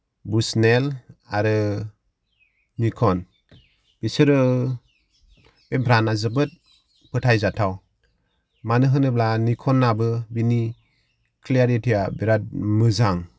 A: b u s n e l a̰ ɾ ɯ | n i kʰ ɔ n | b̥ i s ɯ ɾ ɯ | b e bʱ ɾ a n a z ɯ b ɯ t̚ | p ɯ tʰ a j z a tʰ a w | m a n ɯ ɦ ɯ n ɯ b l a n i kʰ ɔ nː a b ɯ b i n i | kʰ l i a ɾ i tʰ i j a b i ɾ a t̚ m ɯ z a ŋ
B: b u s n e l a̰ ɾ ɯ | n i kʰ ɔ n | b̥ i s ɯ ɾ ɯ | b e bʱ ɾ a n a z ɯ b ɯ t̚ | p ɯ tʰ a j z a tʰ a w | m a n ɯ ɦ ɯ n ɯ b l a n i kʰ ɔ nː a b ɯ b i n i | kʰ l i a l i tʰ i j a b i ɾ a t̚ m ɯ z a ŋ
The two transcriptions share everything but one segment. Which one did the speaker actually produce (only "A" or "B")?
A